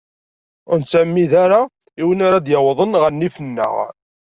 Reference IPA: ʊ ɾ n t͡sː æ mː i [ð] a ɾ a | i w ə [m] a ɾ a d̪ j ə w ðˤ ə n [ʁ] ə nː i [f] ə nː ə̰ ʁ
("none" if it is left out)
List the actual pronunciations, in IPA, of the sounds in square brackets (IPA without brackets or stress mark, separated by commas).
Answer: ð, n, ʁ, f